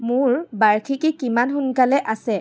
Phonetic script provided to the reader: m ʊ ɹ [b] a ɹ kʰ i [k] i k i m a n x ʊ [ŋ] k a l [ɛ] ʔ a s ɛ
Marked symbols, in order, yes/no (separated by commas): yes, yes, no, yes